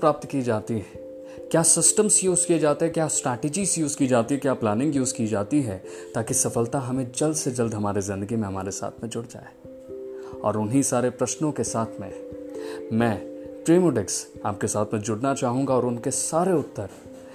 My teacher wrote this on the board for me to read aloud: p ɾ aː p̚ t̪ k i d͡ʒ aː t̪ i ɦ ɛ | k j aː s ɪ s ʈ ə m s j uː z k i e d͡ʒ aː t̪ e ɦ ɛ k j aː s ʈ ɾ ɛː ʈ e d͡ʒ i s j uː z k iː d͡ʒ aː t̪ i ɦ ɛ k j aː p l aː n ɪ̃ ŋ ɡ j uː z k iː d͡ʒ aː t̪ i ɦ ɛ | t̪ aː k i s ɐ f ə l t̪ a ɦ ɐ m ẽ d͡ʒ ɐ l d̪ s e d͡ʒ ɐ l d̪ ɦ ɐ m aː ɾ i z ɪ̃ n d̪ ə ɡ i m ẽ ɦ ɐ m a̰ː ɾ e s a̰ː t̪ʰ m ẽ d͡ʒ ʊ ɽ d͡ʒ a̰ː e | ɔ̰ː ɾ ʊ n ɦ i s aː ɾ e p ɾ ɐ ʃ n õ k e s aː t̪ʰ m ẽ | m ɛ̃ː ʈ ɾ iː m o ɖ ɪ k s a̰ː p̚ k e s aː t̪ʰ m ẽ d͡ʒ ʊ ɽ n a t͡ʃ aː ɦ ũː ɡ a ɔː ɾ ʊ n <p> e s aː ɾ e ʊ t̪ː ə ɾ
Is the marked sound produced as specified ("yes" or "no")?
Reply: no